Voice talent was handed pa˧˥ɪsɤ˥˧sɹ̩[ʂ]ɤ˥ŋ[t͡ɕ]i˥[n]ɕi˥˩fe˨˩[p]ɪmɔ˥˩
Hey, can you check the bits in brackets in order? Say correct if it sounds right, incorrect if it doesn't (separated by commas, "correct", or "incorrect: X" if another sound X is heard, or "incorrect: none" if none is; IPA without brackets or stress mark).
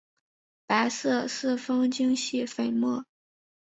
incorrect: f, correct, incorrect: ŋ, incorrect: none